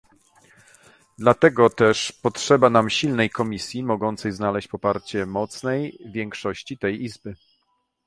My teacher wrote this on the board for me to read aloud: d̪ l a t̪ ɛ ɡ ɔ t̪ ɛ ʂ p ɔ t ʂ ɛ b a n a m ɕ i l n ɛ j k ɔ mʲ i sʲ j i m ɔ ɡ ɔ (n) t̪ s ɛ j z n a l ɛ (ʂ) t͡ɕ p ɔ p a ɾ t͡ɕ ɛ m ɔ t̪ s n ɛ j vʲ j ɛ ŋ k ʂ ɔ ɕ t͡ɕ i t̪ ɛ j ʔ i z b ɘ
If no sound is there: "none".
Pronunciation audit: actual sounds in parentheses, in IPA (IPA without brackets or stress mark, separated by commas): n, ɕ